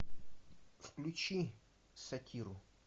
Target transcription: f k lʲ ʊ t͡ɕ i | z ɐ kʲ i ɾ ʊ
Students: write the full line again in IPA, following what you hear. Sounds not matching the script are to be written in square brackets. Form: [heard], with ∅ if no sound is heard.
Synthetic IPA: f k lʲ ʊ t͡ɕ i | [s] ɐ [tʲ] i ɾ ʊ

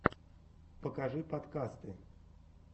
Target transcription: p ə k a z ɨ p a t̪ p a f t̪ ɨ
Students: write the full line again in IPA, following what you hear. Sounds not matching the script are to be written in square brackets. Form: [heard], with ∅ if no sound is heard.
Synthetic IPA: p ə k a [ʐ] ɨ p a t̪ [k] a [s] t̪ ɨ

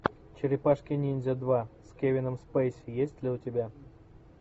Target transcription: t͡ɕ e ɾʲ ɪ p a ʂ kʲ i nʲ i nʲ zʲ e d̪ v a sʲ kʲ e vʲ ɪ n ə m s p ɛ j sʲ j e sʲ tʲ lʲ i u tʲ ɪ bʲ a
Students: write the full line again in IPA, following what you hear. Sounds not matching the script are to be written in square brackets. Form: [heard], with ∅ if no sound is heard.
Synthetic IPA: t͡ɕ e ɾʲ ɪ p a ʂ kʲ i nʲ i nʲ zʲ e d̪ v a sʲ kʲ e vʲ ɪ n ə m s p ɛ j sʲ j e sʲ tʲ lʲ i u tʲ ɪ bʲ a

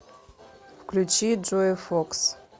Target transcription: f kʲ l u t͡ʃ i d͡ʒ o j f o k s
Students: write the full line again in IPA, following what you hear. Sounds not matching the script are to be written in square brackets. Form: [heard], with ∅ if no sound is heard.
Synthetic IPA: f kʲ l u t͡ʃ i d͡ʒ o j f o k s

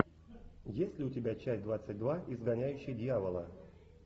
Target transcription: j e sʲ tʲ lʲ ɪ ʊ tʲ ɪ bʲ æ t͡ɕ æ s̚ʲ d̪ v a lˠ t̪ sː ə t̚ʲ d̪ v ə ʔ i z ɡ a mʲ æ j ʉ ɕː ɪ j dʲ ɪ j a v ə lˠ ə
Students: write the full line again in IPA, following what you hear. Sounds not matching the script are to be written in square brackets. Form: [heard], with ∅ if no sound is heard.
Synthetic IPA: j e sʲ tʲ lʲ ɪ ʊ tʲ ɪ bʲ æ t͡ɕ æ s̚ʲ d̪ v a [∅] t̪ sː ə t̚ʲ d̪ v [a] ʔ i z ɡ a [nʲ] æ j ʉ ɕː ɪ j dʲ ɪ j a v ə lˠ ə

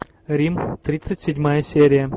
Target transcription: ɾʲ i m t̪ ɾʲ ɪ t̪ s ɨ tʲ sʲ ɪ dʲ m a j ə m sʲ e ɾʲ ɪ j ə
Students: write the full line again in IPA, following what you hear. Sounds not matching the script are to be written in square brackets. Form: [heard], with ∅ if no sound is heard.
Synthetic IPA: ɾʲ i m t̪ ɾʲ [i] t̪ s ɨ tʲ sʲ ɪ dʲ m a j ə [∅] sʲ e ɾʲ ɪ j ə

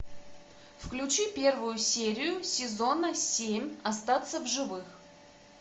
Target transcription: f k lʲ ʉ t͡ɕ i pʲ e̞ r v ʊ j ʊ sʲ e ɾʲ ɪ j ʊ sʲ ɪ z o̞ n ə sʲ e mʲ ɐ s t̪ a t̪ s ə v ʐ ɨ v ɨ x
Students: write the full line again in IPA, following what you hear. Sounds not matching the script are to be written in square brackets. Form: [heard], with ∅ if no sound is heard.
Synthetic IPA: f k lʲ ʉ t͡ɕ i pʲ e̞ r v ʊ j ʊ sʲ e ɾʲ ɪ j ʊ sʲ ɪ z o̞ n ə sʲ e mʲ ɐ s t̪ a t̪ s ə v ʐ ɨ v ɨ x

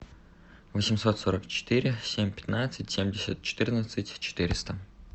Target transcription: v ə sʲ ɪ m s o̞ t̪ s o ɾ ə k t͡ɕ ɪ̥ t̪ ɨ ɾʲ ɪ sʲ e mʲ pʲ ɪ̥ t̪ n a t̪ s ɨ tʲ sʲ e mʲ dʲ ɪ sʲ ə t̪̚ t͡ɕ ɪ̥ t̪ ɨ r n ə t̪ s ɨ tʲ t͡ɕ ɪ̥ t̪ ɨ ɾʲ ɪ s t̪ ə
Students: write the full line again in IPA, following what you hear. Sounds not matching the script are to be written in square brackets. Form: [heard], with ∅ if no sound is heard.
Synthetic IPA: v ə sʲ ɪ m s o̞ t̪ s o ɾ ə k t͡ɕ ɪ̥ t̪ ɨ ɾʲ ɪ sʲ e mʲ pʲ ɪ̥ t̪ n a t̪ s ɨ tʲ sʲ e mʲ dʲ ɪ sʲ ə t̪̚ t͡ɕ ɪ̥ t̪ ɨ r n ə t̪ s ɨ tʲ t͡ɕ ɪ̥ t̪ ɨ ɾʲ ɪ s t̪ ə

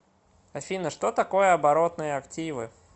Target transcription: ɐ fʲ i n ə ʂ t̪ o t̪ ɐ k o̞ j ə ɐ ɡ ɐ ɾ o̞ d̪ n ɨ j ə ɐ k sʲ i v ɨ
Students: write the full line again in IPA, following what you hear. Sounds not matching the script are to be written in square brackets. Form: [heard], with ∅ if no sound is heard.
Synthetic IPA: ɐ fʲ i n ə ʂ t̪ o t̪ ɐ k o̞ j ə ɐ [b] ɐ ɾ o̞ [t̪] n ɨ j ə ɐ k [tʲ] i v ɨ

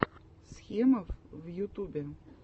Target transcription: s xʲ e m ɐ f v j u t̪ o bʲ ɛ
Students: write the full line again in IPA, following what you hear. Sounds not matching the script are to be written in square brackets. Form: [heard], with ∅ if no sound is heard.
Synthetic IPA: s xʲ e m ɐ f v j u t̪ [u] bʲ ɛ

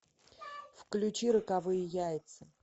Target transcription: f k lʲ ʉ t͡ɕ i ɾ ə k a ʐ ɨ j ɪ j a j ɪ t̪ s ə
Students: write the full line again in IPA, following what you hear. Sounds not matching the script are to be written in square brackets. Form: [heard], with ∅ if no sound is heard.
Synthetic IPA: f k lʲ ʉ t͡ɕ i ɾ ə k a [v] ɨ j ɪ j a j ɪ t̪ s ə

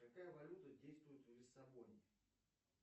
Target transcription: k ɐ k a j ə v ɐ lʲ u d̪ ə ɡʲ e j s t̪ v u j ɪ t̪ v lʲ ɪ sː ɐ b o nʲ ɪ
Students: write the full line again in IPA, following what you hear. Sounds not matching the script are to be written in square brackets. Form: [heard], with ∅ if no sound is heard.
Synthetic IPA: k ɐ k a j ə v ɐ lʲ u [t̪] ə [dʲ] e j s t̪ v [ʊ] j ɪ t̪ v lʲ ɪ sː ɐ b o nʲ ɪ

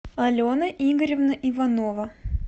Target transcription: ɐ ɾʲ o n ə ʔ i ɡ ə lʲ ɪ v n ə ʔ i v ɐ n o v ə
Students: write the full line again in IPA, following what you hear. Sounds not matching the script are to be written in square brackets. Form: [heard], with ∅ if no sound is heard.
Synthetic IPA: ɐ [lʲ] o n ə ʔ i ɡ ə [ɾʲ] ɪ v n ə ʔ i v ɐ n o v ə

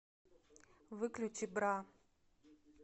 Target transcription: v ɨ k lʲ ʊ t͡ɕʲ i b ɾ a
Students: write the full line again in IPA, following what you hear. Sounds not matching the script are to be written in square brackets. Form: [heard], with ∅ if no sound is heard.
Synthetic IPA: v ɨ k lʲ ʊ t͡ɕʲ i b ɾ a

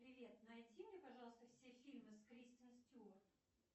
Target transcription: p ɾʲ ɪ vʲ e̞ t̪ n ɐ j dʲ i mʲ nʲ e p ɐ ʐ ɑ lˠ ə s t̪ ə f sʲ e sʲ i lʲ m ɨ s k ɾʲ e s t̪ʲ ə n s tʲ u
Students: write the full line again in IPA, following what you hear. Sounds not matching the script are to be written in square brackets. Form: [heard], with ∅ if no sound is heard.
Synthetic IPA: p ɾʲ ɪ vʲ e̞ t̪ n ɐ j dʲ i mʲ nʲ e p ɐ ʐ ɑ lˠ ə s t̪ ə f sʲ e [fʲ] i lʲ m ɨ s k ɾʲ [i] s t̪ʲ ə n s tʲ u

